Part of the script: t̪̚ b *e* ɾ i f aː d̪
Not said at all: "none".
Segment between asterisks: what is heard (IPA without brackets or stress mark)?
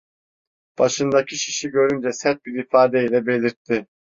i